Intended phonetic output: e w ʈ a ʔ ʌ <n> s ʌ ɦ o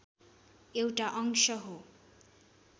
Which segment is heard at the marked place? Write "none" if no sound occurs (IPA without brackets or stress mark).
ŋ